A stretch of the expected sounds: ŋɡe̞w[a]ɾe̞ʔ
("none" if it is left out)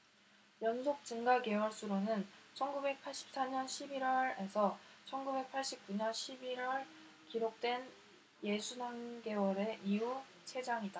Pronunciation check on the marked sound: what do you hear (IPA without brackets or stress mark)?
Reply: ʌ